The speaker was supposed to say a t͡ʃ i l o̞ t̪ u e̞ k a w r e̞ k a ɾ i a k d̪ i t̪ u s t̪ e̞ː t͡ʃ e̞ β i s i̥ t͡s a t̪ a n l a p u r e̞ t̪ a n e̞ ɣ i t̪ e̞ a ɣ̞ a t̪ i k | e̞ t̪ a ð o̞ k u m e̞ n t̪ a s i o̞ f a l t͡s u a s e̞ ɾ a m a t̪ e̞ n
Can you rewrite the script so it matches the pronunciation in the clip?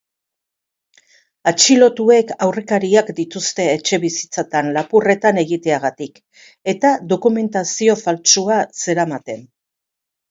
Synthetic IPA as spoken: a t͡ʃ i l o̞ t̪ u e̞ k a w r e̞ k a ɾ i a k d̪ i t̪ u s t̪ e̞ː t͡ʃ e̞ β i s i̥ t͡s a t̪ a n l a p u r e̞ t̪ a n e̞ ɣ i t̪ e̞ a ɣ̞ a t̪ i k | e̞ t̪ a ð o̞ k u m e̞ n t̪ a s i o̞ f a l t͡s u a s e̞ ɾ a m a t̪ e̞ n